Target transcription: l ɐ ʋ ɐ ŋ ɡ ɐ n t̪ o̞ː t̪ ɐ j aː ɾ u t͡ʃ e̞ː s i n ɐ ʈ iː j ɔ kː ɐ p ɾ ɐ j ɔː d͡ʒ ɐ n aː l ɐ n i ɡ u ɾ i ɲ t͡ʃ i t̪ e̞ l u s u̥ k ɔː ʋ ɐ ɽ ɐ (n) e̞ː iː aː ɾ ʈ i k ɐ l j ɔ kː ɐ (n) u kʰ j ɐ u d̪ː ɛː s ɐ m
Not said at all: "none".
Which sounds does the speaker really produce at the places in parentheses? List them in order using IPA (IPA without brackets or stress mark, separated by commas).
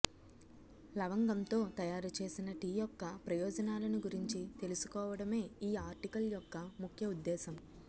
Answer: m, m